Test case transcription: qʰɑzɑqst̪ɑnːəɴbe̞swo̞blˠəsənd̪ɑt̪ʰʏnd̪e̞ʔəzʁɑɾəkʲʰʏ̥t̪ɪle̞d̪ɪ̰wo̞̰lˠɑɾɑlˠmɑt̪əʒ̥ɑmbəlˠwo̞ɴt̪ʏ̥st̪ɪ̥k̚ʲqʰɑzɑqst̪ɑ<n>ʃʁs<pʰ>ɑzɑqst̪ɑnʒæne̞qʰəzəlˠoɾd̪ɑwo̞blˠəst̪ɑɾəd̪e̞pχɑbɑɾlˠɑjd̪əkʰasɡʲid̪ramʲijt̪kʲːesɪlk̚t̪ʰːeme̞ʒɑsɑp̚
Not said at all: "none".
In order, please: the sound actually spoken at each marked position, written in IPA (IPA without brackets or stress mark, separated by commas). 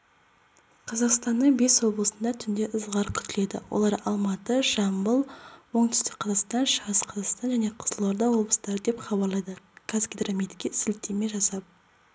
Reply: n, qʰ